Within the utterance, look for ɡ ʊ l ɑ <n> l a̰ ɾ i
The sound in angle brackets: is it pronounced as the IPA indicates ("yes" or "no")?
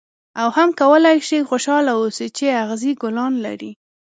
yes